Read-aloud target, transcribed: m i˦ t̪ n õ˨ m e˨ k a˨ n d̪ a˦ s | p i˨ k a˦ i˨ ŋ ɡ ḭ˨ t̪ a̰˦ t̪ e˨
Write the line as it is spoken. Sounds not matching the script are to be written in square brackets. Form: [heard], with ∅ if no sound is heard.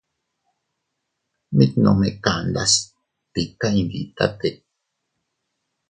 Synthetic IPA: m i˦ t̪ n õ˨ m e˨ k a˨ n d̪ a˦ s | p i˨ k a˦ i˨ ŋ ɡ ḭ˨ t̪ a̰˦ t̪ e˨